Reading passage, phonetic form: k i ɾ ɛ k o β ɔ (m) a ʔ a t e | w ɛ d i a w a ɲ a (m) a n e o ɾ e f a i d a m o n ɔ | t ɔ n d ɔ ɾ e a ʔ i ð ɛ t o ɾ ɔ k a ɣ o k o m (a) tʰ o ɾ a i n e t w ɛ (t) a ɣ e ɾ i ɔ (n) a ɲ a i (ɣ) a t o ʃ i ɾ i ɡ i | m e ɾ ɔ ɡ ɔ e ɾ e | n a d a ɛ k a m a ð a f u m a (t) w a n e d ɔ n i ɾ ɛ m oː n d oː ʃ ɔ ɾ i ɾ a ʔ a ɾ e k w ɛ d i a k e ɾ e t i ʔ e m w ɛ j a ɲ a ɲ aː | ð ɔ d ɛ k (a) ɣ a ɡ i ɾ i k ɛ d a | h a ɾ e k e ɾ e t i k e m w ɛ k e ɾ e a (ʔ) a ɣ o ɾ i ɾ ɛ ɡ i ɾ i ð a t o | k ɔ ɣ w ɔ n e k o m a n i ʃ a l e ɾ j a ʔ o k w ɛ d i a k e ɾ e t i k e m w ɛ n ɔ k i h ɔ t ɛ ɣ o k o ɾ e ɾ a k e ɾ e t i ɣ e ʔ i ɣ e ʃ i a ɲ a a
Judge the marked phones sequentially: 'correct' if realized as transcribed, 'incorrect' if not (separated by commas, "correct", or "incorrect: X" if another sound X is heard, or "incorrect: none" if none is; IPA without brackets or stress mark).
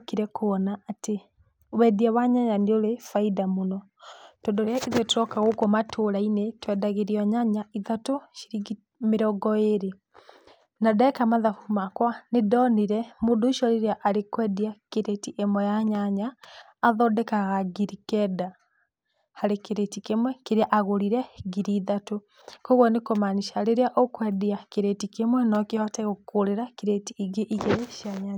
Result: incorrect: n, incorrect: ɲ, correct, incorrect: d, incorrect: ɲ, incorrect: ð, incorrect: k, correct, correct